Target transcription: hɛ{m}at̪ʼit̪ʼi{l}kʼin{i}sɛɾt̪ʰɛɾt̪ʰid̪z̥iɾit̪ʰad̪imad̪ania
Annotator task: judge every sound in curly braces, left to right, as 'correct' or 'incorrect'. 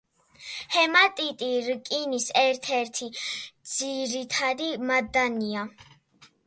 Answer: correct, incorrect: ɾ, correct

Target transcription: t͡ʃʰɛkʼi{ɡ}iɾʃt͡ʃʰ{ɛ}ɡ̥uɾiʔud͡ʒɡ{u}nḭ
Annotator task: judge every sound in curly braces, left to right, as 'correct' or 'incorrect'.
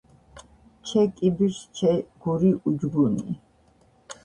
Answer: incorrect: b, correct, correct

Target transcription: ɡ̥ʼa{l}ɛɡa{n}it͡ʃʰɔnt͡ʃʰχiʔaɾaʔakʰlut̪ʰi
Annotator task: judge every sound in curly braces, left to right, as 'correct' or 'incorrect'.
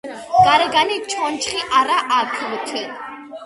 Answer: incorrect: ɾ, correct

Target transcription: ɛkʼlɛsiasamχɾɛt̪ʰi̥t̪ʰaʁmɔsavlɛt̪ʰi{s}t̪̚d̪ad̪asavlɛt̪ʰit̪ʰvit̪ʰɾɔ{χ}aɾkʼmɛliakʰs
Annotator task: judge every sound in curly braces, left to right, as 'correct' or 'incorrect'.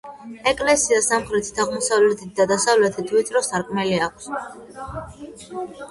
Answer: incorrect: none, incorrect: s

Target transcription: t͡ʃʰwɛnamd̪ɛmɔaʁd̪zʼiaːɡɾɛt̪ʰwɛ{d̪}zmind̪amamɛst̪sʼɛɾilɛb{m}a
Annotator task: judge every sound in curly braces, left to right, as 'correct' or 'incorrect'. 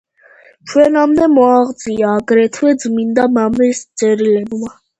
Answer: correct, correct

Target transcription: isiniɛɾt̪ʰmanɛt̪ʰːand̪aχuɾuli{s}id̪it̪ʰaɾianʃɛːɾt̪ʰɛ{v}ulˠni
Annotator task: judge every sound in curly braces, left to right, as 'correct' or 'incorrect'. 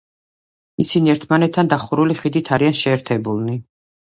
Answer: incorrect: χ, incorrect: b

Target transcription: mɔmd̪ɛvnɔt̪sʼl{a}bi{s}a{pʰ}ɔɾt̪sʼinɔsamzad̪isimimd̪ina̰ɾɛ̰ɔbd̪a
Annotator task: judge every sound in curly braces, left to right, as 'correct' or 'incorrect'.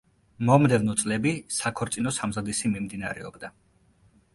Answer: incorrect: ɛ, correct, incorrect: kʰ

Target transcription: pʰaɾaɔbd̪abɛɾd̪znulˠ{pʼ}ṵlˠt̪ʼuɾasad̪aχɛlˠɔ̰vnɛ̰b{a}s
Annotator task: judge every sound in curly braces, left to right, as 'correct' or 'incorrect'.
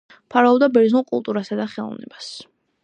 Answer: incorrect: kʼ, correct

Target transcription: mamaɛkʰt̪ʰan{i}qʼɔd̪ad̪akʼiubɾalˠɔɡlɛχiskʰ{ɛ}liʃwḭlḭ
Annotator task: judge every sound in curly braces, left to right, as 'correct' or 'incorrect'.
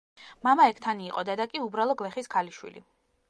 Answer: incorrect: iː, incorrect: a

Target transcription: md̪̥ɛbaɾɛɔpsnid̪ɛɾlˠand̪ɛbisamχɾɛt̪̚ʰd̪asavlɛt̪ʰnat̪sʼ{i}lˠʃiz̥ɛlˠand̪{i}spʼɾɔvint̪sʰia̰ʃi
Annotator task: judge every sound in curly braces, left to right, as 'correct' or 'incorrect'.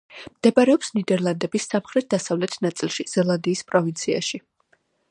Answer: correct, incorrect: iː

